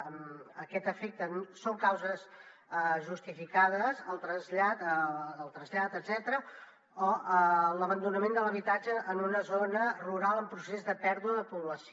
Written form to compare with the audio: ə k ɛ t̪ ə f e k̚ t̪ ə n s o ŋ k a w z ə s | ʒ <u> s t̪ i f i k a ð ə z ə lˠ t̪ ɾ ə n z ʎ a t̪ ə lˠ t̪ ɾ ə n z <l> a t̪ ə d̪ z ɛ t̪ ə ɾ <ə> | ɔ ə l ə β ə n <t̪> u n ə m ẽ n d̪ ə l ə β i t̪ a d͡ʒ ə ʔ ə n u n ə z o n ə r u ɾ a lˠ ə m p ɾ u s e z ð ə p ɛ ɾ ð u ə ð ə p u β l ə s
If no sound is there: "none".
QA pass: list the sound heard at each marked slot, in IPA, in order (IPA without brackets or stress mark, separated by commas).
u, ʎ, ə, d̪